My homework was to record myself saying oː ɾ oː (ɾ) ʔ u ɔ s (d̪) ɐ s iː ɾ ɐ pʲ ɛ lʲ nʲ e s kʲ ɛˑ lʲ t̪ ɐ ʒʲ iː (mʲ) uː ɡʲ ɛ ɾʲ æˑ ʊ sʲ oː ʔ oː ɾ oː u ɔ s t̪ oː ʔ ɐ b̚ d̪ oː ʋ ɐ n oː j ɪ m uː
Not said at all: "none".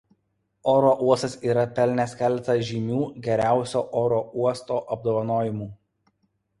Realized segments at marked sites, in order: none, t̪, mʲ

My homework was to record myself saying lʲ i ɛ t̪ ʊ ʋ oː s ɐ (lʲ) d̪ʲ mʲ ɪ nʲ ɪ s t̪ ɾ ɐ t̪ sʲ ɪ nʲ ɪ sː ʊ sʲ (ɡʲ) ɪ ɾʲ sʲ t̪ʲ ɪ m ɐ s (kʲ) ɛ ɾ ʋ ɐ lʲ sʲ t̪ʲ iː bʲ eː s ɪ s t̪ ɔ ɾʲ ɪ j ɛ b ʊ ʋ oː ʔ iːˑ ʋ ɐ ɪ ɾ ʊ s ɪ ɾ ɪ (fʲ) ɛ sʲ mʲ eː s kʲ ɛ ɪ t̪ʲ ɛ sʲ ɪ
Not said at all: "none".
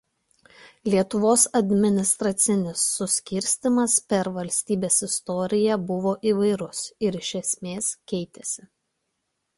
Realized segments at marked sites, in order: none, kʲ, pʲ, ʃʲ

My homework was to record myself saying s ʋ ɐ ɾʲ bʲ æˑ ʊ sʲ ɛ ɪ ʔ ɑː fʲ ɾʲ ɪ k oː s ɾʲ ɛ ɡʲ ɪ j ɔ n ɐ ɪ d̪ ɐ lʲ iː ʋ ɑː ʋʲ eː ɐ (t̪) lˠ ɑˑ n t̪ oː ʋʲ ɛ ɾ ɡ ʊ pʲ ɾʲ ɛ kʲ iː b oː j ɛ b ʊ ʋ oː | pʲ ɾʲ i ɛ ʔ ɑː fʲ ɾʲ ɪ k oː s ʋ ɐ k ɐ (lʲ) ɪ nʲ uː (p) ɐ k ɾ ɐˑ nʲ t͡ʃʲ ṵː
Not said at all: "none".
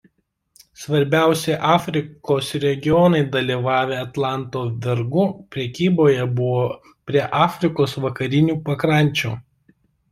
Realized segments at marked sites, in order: t̪, ɾʲ, p

